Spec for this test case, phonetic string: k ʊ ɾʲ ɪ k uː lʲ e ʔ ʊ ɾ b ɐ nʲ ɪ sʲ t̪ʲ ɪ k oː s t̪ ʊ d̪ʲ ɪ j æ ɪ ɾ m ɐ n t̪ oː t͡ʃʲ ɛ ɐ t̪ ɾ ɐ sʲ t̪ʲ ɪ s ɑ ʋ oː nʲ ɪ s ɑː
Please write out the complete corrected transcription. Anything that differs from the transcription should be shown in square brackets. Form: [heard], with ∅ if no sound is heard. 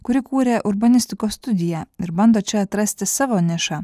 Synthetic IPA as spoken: k ʊ ɾʲ ɪ k uː [ɾʲ] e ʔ ʊ ɾ b ɐ nʲ ɪ sʲ t̪ʲ ɪ k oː s t̪ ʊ d̪ʲ ɪ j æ ɪ ɾ [b] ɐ n [d̪] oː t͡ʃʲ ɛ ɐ t̪ ɾ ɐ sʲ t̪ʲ ɪ s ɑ ʋ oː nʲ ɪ [ʃ] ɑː